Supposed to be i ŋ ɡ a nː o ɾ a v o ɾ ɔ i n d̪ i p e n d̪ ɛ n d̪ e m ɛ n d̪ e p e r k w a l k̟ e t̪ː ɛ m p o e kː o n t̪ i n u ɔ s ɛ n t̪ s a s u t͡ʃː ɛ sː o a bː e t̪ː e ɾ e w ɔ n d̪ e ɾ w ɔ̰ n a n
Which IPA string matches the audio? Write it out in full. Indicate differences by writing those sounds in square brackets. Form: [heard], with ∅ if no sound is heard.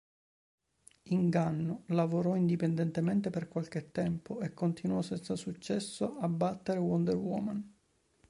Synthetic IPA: i ŋ ɡ a nː o [l] a v o ɾ ɔ i n d̪ i p e n d̪ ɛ n [t̪] e m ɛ n [t̪] e p e r k w a l k̟ e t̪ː ɛ m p o e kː o n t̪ i n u ɔ s ɛ n t̪ s a s u t͡ʃː ɛ sː o a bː [a] t̪ː e ɾ e w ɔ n d̪ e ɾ w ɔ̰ [m] a n

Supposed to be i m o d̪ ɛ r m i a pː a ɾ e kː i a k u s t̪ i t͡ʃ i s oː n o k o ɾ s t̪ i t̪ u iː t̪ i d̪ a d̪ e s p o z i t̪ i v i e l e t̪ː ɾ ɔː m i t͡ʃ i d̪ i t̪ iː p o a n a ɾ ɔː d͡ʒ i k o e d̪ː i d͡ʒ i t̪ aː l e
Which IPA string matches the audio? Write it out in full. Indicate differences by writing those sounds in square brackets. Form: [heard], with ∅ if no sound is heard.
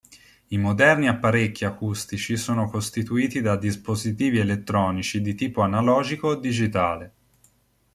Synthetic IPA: i m o d̪ ɛ r [n] i a pː a ɾ e kː i a k u s t̪ i t͡ʃ i s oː n o k o [∅] s t̪ i t̪ u iː t̪ i d̪ a d̪ [i] s p o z i t̪ [iː] v i e l e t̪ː ɾ ɔː [n] i t͡ʃ i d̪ i t̪ iː p o a n a [l] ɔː d͡ʒ i k o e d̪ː i d͡ʒ i t̪ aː l e

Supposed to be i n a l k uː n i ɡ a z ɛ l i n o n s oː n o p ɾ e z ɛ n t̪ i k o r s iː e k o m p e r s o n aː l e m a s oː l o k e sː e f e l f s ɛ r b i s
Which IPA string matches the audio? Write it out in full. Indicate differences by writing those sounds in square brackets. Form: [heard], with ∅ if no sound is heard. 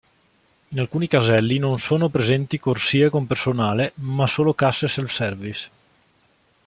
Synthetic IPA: i n a l k uː n i [k] a z ɛ [lː] i n o n s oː n o p ɾ e z ɛ n t̪ i k o r s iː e k o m p e r s o n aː l e m a s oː l o k [a] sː e [s] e l f s ɛ r [v] i s

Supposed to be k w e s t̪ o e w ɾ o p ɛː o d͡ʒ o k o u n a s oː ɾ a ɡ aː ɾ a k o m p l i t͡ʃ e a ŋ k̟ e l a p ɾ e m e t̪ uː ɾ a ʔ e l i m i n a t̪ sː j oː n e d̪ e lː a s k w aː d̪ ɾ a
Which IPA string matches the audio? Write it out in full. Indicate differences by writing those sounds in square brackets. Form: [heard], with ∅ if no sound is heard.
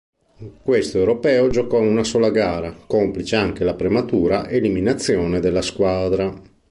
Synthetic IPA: k w e s t̪ o e w ɾ o p ɛː o d͡ʒ o k [ɔ] u n a s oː [l] a ɡ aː ɾ a k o m p l i t͡ʃ e a ŋ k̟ e l a p ɾ e m [a] t̪ uː ɾ a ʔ e l i m i n a t̪ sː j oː n e d̪ e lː a s k w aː d̪ ɾ a

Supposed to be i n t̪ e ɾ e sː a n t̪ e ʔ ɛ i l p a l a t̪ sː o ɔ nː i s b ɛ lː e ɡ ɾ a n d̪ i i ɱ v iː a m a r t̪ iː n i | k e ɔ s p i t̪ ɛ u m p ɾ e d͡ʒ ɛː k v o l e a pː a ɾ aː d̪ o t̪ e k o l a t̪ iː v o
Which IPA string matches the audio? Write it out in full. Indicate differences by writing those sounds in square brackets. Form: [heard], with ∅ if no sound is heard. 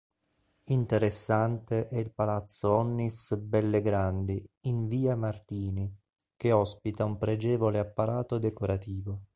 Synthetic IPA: i n t̪ e ɾ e sː a n t̪ e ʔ ɛ i l p a l a t̪ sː o ɔ nː i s b ɛ lː e ɡ ɾ a n d̪ i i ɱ v iː a m a r t̪ iː n i | k e ɔ s p i t̪ [a] u m p ɾ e d͡ʒ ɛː [∅] v o l e a pː a ɾ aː [t̪] o [d̪] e k o [ɾ] a t̪ iː v o

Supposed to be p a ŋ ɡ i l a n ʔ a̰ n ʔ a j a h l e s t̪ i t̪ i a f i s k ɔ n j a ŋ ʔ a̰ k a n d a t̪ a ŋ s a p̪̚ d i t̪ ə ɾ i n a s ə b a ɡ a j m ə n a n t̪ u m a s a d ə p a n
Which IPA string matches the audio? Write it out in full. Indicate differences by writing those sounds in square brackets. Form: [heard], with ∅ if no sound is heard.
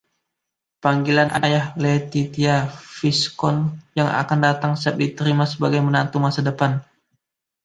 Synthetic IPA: p a ŋ ɡ i l a n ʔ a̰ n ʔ a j a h l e [∅] t̪ i t̪ i a f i s k ɔ n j a ŋ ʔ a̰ k a n d a t̪ a ŋ s a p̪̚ d i t̪ ə ɾ i [m] a s ə b a ɡ a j m ə n a n t̪ u m a s a d ə p a n

